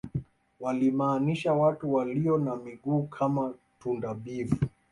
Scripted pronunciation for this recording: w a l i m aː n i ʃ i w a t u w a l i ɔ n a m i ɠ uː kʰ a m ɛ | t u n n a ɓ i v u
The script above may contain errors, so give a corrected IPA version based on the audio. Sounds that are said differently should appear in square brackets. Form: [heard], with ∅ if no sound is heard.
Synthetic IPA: w a l i m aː n i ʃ [a] w a t u w a l i ɔ n a m i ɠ uː kʰ a m [a] | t u n [d] a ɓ i v u